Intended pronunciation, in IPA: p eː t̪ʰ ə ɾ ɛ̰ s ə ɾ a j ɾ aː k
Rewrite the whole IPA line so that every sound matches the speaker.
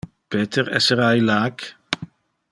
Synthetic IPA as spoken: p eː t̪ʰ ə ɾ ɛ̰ s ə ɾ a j l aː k